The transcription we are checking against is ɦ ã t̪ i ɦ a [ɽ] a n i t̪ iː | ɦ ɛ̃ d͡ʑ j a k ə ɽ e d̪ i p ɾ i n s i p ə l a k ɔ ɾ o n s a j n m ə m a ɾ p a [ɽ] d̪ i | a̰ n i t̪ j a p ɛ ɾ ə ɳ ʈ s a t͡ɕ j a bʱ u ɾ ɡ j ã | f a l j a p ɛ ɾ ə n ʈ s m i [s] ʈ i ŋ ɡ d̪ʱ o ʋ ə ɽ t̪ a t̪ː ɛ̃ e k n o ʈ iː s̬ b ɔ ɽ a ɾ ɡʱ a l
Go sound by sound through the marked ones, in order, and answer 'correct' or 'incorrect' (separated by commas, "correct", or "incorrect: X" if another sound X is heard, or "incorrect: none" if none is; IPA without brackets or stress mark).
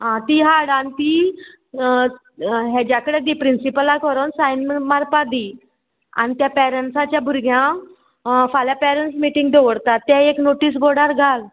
correct, incorrect: none, incorrect: none